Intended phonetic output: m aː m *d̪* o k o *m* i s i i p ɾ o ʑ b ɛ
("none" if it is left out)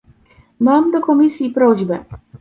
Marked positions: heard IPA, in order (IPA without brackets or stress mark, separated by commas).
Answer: d̪, m